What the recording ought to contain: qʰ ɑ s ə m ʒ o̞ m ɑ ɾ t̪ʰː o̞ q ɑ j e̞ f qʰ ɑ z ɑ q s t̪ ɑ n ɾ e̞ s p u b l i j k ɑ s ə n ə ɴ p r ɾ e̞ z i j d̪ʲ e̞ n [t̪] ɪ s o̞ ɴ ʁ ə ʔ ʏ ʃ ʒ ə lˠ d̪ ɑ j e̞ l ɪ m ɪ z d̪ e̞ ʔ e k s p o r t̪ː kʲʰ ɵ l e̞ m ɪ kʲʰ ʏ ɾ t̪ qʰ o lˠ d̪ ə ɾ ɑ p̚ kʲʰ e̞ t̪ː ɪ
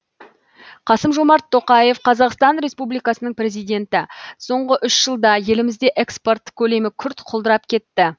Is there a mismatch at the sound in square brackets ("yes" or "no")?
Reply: no